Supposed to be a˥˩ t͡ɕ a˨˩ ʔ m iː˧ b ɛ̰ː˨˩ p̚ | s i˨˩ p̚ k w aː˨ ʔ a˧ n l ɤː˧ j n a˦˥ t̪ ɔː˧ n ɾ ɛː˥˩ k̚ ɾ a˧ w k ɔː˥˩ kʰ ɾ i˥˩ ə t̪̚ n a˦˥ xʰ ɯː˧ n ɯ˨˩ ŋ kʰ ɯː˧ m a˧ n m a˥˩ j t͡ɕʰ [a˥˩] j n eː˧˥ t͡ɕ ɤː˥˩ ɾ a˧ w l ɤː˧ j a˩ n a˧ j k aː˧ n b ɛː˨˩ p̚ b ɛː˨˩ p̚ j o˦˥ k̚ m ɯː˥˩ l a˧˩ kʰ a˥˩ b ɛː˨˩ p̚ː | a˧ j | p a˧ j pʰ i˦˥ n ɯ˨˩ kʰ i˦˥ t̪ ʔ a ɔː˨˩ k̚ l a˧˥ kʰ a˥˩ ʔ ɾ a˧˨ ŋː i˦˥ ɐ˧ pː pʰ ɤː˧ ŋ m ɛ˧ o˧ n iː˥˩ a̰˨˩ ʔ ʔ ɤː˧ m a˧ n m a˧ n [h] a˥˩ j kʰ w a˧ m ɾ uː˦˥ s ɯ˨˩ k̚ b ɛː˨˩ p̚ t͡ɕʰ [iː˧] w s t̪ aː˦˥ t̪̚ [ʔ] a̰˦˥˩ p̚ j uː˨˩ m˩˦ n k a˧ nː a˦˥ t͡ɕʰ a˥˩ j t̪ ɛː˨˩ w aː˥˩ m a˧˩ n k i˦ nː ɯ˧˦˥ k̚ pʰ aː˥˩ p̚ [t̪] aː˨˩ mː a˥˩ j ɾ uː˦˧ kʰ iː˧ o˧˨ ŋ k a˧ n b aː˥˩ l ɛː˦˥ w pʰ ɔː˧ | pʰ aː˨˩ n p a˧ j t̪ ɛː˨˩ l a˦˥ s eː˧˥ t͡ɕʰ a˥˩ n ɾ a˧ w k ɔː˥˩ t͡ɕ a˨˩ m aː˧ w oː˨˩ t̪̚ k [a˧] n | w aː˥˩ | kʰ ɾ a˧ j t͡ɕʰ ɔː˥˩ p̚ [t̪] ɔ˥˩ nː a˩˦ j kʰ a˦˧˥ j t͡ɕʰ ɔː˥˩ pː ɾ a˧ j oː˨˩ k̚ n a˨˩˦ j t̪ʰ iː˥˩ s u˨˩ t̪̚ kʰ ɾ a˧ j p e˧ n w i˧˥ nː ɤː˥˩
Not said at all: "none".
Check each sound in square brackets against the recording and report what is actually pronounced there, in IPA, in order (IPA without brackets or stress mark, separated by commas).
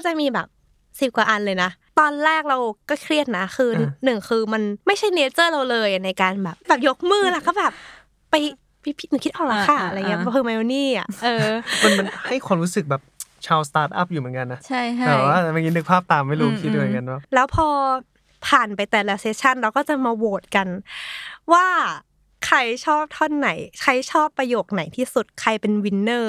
a˥˩, h, aː˧, ʔ, t̪, a˧, t̪ʰ